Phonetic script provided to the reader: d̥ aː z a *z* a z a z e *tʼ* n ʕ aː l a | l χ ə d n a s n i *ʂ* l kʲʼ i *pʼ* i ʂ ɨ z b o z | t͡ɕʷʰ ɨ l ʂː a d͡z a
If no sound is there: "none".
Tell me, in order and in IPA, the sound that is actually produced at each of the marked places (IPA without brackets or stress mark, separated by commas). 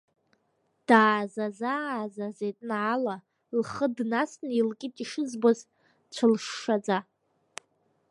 z, tʼ, none, tʼ